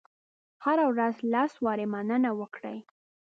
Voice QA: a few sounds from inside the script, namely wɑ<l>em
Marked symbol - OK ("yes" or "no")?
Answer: no